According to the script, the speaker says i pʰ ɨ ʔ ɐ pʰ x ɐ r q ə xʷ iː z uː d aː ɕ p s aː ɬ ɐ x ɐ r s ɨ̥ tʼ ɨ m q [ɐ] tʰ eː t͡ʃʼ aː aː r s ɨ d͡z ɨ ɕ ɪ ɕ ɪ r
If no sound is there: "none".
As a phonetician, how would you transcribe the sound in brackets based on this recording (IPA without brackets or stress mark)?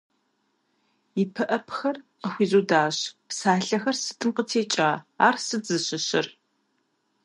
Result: ə